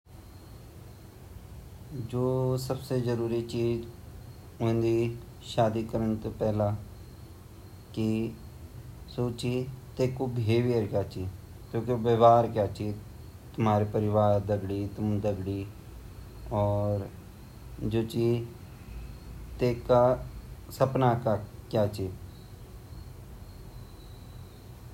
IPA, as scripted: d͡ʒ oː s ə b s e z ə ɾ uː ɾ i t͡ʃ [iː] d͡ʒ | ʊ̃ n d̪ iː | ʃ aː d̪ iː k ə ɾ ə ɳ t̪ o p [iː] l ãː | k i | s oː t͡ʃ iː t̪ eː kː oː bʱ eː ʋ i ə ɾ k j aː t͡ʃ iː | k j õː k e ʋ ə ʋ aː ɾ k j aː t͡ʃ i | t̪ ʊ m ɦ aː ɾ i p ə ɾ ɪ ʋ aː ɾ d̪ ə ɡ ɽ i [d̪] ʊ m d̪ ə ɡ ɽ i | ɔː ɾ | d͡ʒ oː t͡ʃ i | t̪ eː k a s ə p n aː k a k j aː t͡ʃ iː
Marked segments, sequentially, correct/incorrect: correct, incorrect: ɛː, incorrect: t̪

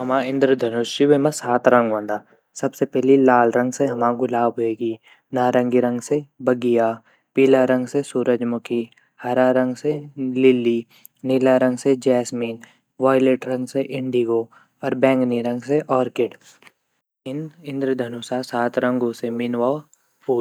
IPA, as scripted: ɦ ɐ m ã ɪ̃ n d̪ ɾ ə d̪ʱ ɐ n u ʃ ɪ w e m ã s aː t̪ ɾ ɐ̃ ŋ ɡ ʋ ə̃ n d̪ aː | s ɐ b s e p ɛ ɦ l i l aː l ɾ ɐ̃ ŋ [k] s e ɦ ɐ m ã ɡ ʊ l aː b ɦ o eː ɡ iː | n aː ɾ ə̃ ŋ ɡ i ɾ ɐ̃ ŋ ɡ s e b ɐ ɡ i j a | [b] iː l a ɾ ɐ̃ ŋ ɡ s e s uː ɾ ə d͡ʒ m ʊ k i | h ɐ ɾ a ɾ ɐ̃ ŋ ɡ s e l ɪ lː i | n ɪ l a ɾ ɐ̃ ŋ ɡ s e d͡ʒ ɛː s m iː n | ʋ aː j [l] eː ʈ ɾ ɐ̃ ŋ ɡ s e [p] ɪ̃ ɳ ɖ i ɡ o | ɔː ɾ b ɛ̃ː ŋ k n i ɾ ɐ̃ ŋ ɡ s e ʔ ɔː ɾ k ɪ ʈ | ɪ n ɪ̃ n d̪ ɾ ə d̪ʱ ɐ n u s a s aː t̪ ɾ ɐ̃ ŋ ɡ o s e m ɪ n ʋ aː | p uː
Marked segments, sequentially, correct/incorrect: incorrect: ɡ, incorrect: p, correct, incorrect: ʔ

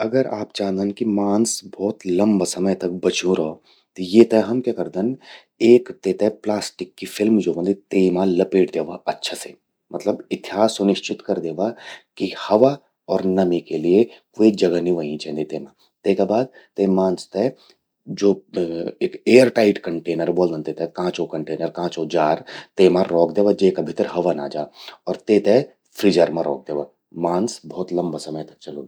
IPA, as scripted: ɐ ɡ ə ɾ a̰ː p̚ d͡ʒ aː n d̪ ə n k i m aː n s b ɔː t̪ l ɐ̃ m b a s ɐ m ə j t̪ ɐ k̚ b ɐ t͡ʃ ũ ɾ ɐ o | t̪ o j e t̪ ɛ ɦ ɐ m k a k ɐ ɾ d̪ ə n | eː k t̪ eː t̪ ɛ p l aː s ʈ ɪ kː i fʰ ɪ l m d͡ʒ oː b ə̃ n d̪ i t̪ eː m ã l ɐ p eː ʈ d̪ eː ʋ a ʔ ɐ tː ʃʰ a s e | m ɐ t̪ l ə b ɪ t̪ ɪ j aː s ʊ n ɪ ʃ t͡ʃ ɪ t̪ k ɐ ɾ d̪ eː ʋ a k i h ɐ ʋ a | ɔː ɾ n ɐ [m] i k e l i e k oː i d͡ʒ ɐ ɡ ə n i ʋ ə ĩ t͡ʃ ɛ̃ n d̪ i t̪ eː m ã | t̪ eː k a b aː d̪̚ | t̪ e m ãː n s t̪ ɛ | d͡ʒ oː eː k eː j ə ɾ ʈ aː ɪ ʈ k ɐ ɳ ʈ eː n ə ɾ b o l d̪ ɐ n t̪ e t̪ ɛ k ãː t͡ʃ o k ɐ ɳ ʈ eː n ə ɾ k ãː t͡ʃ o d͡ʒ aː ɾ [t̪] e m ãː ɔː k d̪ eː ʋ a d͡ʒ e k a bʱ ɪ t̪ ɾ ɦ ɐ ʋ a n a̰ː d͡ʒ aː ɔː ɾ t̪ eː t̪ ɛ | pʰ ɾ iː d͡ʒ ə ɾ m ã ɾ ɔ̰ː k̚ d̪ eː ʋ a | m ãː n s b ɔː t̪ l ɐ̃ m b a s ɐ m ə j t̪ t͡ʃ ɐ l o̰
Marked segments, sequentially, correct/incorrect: correct, correct

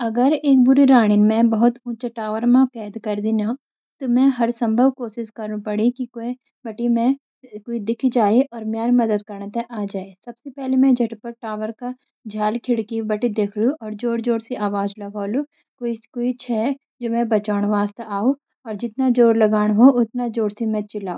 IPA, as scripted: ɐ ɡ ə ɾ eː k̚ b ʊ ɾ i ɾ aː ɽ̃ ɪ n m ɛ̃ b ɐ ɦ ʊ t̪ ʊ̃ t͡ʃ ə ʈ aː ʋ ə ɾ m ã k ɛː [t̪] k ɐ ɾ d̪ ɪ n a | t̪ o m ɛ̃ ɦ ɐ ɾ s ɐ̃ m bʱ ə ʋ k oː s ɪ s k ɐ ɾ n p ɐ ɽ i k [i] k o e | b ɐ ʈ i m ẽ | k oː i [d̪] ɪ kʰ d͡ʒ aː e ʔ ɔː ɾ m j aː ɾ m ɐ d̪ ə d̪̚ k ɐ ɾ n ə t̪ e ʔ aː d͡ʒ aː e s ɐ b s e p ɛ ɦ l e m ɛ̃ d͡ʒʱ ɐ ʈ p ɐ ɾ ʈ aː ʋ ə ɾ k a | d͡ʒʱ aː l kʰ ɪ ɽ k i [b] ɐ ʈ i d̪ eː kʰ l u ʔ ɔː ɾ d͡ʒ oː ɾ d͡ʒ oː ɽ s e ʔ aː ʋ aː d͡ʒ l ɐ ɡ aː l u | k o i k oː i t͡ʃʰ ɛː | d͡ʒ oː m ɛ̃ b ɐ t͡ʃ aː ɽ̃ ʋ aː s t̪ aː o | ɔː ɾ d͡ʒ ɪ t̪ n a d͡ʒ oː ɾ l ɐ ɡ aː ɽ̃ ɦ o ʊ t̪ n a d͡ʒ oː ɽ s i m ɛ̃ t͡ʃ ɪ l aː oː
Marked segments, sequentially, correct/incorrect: incorrect: d̪, correct, correct, correct

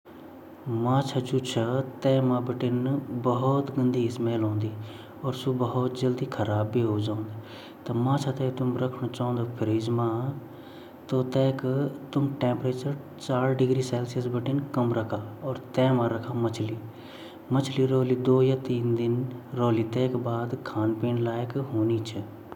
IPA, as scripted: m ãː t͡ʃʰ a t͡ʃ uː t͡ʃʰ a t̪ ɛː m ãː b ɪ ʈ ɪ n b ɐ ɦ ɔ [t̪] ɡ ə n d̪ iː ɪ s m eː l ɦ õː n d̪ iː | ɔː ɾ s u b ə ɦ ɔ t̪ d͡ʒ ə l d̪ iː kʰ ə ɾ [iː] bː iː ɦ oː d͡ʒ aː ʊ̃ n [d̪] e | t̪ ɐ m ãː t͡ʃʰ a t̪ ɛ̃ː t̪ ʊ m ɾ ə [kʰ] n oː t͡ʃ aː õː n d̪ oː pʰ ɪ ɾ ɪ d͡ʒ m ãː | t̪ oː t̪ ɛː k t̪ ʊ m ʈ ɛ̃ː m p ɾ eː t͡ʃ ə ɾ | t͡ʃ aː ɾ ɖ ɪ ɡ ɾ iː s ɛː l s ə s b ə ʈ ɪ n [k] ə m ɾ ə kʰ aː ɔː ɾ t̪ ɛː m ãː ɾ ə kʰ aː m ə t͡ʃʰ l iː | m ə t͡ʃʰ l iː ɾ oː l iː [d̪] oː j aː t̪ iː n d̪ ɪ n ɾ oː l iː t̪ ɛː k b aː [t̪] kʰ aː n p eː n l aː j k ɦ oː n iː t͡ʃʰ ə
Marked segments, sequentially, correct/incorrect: correct, incorrect: aː, correct, correct, correct, correct, incorrect: d̪

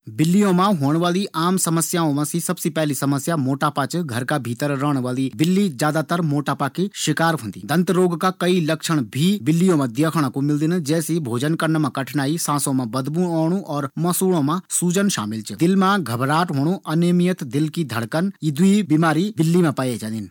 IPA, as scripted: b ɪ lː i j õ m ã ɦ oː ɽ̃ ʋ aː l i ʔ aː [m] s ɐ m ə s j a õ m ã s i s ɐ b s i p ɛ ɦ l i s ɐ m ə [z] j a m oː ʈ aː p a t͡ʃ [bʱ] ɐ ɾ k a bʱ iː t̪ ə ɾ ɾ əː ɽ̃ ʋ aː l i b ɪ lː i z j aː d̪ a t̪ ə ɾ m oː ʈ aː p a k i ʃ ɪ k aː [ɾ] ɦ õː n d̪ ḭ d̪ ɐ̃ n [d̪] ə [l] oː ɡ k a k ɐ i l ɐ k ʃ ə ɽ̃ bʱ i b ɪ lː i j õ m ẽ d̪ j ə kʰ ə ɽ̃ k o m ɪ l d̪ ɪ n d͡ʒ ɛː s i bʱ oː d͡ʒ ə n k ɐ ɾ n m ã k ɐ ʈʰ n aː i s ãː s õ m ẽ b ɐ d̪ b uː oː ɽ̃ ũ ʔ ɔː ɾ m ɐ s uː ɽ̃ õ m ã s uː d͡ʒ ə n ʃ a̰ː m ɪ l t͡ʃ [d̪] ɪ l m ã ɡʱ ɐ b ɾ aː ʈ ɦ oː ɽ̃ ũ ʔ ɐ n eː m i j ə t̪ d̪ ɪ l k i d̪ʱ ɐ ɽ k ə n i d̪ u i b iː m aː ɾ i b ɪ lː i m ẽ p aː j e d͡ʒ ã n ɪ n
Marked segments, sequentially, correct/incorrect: correct, incorrect: s, incorrect: ɡʱ, correct, incorrect: t̪, incorrect: ɾ, correct

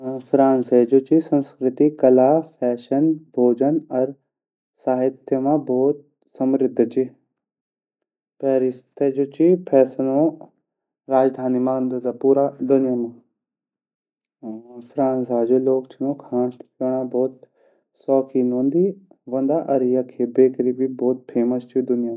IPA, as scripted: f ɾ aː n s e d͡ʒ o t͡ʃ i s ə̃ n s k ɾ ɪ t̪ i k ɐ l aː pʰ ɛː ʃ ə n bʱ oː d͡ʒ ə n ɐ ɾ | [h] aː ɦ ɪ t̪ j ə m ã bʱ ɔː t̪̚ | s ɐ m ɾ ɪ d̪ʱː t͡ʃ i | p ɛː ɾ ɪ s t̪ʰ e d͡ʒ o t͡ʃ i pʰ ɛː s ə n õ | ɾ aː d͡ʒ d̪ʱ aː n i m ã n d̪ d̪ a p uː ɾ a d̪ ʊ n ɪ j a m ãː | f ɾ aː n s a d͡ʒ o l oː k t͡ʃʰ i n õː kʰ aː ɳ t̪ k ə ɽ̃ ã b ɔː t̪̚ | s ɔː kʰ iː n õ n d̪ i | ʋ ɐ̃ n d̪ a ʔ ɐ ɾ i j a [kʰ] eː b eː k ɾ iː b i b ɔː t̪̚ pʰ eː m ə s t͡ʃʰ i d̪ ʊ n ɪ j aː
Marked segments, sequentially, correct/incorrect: incorrect: s, correct

